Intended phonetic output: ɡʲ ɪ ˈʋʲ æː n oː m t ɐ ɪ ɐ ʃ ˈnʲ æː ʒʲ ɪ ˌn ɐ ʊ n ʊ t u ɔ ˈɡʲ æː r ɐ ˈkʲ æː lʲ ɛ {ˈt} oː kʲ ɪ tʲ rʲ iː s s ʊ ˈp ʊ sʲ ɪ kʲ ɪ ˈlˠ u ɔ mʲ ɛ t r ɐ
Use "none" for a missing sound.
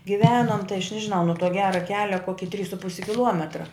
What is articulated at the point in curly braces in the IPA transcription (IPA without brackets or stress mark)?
k